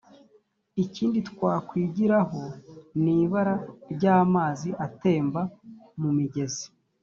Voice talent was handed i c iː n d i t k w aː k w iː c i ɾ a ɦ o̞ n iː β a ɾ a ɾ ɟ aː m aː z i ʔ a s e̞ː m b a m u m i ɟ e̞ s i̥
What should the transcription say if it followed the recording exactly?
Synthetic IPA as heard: i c iː n d i t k w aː k w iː ɟ i ɾ a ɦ o̞ n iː β a ɾ a ɾ ɟ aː m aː z i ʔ a t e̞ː m b a m u m i ɟ e̞ z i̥